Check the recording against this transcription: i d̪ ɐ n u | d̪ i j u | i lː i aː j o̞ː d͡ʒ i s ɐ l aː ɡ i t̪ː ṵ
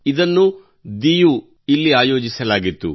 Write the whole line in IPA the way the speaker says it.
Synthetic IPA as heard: i d̪ ɐ nː u | d̪ i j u | i lː i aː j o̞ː d͡ʒ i s ɐ l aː ɡ i t̪ː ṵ

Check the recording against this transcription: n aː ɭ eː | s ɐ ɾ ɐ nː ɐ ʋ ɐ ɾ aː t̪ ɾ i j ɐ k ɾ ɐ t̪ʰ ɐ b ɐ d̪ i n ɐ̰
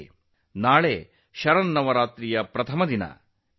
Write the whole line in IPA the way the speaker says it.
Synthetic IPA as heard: n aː ɭ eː | ʃ ɐ ɾ ɐ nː ɐ ʋ ɐ ɾ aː t̪ ɾ i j ɐ p ɾ ɐ t̪ʰ ɐ m ɐ d̪ i n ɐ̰

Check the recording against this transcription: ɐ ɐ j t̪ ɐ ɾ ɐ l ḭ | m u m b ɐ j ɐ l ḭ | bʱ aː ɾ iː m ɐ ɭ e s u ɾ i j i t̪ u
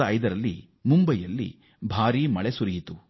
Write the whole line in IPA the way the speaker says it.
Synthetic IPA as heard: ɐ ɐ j d̪ ɐ ɾ ɐ lː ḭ | m u m b ɐ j ɐ lː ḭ | bʱ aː ɾ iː m ɐ ɭ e s u ɾ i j i t̪ u

